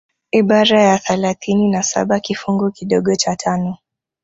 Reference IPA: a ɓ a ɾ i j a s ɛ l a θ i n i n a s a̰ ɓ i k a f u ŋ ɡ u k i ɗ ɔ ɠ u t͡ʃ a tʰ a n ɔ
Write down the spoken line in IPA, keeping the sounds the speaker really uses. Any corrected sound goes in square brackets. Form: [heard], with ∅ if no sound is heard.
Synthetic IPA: [i] ɓ a ɾ [a] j a [θ] ɛ l a θ i n i n a s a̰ ɓ [a] k [i] f u ŋ ɡ u k i ɗ ɔ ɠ [ɔ] t͡ʃ a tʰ a n ɔ